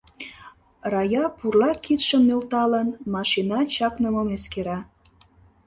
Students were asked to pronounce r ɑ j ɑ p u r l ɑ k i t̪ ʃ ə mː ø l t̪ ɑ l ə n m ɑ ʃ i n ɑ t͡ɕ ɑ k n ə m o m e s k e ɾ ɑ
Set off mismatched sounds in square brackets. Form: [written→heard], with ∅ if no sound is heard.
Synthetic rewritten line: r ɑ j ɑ p u r l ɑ k i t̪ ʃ ə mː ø l t̪ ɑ l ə n m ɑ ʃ i n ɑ t͡ɕ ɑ k n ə m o m e s k e ɾ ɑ